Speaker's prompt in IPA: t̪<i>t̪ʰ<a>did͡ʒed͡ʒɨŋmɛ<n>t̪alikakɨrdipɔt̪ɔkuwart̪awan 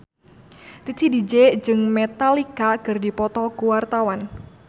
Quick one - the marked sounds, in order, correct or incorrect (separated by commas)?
correct, incorrect, incorrect